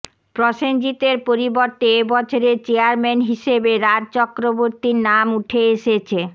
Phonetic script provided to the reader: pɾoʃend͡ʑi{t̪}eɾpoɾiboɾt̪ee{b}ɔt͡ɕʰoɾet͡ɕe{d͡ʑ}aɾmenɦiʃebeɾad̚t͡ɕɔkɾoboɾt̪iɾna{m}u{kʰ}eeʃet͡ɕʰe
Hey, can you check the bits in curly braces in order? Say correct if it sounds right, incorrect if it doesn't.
correct, correct, incorrect: none, correct, incorrect: ʈʰ

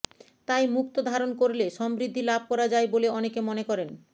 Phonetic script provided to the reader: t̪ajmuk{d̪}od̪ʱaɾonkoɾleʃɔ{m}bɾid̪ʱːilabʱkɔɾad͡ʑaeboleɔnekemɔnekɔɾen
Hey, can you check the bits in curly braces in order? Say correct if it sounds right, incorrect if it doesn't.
incorrect: t̪, correct

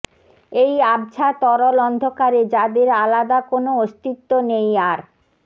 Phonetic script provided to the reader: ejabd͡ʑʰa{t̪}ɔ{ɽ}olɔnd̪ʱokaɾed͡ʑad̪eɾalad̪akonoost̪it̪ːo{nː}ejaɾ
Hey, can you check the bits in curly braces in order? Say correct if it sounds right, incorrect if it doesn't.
correct, incorrect: ɾ, incorrect: n

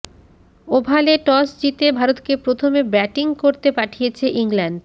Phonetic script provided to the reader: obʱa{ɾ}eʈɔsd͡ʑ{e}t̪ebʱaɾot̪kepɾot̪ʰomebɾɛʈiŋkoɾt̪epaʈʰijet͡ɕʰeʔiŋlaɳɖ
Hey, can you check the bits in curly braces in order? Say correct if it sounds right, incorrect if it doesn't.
incorrect: l, incorrect: i

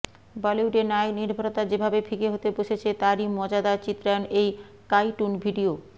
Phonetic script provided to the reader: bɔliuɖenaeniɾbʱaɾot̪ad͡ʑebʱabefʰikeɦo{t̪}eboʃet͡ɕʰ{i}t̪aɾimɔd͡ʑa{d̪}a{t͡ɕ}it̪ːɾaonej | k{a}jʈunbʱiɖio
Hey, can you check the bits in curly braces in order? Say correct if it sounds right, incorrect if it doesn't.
correct, incorrect: e, correct, correct, correct

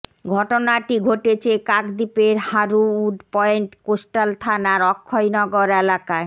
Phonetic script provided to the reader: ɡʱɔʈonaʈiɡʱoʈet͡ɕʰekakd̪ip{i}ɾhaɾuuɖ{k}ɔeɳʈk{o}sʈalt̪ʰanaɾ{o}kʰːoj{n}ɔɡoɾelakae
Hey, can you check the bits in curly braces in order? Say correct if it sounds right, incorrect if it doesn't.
incorrect: e, incorrect: p, correct, incorrect: ɔ, correct

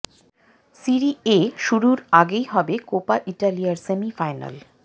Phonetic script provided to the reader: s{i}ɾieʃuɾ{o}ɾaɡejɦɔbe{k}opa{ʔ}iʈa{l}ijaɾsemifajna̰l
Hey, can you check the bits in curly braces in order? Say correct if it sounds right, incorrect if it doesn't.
correct, incorrect: u, correct, correct, correct

